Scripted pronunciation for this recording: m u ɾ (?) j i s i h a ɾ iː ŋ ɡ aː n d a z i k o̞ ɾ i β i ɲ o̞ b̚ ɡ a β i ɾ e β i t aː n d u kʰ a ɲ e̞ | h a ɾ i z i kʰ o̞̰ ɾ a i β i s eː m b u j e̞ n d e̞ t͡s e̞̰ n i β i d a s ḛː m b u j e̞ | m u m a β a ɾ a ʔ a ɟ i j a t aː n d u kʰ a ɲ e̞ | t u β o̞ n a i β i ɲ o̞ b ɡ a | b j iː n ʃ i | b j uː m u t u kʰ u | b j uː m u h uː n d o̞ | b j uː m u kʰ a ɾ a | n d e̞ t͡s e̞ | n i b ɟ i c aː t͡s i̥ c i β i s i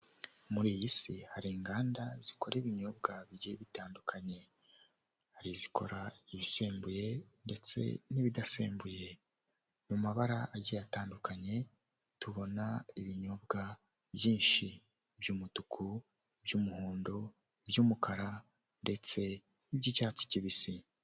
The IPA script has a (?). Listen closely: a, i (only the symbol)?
i